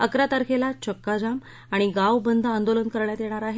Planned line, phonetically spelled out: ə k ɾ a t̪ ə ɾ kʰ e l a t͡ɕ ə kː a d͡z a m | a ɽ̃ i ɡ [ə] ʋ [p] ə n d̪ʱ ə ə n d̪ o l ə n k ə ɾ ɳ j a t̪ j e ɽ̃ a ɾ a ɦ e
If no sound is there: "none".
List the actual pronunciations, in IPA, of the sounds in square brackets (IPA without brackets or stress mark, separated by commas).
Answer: a, b